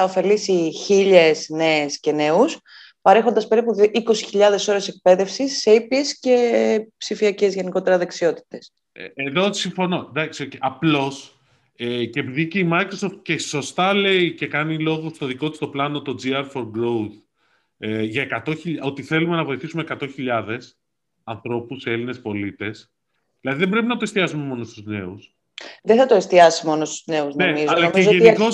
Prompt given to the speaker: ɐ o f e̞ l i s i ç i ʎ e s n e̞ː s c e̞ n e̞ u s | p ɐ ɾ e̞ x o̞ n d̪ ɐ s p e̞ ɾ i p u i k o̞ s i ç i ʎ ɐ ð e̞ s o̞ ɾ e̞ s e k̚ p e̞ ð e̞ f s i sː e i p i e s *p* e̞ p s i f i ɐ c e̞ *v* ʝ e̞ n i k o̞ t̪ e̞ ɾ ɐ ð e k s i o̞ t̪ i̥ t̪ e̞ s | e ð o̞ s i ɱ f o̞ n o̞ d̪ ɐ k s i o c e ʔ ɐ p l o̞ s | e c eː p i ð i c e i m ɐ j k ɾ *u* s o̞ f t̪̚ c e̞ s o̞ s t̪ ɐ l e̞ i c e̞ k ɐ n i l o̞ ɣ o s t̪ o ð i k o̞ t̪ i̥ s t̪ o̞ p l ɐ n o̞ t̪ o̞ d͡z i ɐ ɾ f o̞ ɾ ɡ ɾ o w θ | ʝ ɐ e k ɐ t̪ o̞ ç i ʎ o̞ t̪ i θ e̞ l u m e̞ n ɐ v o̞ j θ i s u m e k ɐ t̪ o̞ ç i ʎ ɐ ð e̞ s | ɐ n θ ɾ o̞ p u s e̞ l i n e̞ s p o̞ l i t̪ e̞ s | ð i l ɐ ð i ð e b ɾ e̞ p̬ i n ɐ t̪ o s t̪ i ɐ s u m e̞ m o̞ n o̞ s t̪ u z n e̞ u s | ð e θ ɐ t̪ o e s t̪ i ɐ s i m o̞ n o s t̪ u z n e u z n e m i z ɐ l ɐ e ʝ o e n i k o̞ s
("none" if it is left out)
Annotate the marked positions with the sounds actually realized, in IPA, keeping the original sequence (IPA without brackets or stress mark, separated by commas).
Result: c, z, o